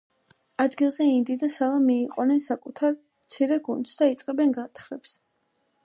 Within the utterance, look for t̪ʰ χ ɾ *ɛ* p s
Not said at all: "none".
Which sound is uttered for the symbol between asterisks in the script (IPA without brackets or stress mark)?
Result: ɛ